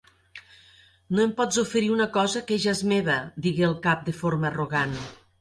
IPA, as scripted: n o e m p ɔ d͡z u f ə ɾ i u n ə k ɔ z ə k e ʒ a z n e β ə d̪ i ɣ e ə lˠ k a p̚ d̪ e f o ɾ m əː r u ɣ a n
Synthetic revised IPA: n o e m p ɔ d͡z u f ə ɾ i u n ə k ɔ z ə k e ʒ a z m e β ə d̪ i ɣ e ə lˠ k a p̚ d̪ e f o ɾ m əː r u ɣ a n